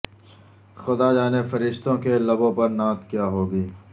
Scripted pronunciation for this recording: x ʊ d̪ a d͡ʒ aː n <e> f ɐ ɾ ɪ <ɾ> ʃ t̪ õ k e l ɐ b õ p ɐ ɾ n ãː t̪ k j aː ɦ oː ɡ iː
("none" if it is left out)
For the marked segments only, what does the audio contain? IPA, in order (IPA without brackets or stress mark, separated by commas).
e, none